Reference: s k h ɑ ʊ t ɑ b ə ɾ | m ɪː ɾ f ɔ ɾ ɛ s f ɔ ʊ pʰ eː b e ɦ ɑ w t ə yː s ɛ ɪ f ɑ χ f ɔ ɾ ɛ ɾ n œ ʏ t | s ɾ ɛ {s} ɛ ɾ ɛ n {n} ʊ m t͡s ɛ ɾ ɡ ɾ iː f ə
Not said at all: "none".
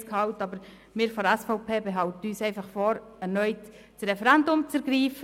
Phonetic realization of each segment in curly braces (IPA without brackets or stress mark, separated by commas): f, d